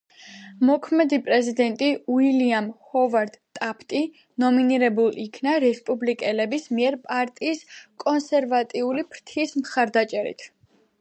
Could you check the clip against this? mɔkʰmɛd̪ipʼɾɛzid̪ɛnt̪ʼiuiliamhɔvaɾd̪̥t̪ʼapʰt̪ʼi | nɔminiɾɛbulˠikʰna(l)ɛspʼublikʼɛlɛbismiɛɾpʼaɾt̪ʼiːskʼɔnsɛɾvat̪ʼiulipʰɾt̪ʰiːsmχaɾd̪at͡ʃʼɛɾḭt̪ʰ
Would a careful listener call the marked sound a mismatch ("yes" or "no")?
yes